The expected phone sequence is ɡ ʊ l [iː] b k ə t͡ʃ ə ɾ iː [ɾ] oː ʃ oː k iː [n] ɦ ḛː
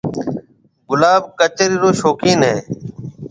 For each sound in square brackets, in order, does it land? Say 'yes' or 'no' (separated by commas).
no, yes, yes